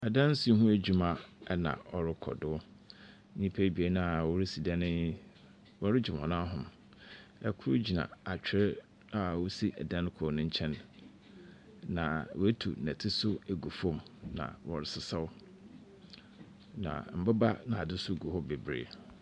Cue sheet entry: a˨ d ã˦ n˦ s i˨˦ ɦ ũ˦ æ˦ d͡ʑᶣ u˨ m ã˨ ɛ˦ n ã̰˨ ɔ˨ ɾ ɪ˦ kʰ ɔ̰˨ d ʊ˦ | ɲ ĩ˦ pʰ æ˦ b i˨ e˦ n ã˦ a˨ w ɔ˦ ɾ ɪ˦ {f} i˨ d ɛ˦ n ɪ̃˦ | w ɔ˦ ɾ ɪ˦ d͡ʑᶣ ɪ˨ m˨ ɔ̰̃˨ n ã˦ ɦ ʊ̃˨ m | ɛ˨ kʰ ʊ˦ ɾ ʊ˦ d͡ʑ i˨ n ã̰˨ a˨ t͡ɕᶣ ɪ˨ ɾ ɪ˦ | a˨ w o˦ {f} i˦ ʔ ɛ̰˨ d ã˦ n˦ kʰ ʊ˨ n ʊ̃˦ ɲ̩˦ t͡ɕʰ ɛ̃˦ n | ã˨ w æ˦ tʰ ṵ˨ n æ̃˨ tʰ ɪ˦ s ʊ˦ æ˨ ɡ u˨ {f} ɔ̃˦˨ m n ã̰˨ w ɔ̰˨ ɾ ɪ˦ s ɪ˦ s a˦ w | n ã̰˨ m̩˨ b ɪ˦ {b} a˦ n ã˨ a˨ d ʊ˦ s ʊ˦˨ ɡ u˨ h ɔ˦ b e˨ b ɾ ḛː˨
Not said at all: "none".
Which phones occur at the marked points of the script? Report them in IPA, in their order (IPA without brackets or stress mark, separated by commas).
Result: s, s, f, b